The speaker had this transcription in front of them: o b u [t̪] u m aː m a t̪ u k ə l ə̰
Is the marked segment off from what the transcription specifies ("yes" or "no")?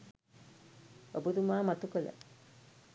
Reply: yes